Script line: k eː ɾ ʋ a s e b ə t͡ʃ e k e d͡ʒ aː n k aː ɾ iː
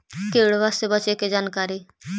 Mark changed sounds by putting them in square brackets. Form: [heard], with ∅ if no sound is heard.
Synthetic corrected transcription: k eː [ɽ] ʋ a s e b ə t͡ʃ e k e d͡ʒ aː n k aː ɾ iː